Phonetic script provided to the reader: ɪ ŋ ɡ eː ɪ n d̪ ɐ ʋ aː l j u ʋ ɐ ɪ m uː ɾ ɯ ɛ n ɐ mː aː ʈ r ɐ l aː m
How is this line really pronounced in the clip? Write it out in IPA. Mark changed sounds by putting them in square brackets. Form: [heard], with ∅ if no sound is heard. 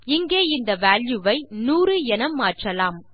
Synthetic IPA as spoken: ɪ ŋ ɡ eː ɪ n d̪ ɐ ʋ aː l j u ʋ ɐ ɪ [n] uː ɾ ɯ ɛ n ɐ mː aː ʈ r ɐ l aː m